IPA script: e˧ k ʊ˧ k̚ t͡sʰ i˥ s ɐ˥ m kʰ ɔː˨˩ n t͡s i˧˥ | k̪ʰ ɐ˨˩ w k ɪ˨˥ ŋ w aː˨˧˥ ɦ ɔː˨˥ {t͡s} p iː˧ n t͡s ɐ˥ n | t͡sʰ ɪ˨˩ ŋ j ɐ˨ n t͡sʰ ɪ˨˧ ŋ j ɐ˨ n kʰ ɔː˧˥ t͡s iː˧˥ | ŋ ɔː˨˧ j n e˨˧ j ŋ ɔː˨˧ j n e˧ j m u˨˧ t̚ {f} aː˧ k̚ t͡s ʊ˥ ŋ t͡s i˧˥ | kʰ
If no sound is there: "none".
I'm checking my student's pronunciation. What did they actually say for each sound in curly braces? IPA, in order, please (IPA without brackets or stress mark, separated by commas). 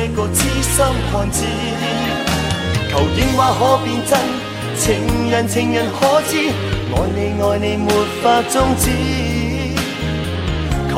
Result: none, f